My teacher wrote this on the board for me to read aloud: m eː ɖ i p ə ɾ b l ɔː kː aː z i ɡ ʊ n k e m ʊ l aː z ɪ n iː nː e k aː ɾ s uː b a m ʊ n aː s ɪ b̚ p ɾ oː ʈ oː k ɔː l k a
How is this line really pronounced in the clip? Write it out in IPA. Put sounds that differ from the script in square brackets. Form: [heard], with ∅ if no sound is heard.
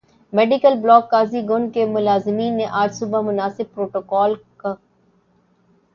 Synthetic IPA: m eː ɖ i [k] ə [l] b l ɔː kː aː z i ɡ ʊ n k e m ʊ l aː z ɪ [m] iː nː e [ʔ] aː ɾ s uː b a m ʊ n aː s ɪ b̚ p ɾ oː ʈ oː k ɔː l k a